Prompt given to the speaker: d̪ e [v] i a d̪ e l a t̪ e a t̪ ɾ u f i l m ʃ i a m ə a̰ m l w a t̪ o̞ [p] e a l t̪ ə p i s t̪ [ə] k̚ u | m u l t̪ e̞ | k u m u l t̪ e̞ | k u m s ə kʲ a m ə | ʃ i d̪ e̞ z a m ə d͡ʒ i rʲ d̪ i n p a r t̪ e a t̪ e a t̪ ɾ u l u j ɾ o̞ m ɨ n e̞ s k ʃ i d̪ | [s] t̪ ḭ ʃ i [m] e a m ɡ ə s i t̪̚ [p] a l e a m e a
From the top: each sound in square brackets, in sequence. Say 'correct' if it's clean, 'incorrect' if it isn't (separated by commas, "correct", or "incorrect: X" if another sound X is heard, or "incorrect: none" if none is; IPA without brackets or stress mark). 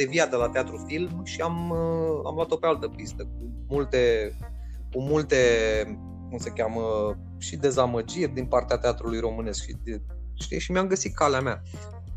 correct, correct, correct, incorrect: ʃ, correct, incorrect: k